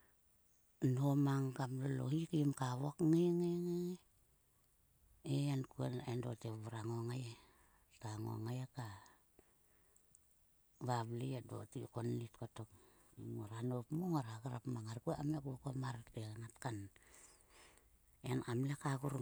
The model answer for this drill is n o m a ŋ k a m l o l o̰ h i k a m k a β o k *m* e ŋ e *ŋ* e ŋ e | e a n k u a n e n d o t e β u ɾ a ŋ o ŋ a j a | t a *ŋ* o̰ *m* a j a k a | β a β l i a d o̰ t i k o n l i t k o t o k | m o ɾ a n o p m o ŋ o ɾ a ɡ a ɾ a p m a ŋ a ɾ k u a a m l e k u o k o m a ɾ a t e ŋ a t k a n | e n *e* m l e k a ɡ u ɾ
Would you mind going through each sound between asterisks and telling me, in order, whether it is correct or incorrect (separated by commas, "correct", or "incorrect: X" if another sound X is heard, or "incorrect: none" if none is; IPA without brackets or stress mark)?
incorrect: ŋ, correct, correct, incorrect: ŋ, incorrect: a